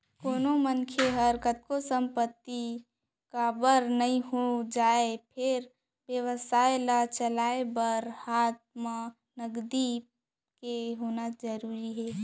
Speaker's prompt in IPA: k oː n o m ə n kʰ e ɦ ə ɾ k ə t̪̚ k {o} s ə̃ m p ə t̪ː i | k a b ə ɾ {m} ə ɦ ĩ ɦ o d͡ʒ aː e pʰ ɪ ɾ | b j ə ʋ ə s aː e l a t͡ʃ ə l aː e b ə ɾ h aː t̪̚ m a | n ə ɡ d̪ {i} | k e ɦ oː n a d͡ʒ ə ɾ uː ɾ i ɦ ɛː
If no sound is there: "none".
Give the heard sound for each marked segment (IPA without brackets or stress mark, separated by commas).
o, n, i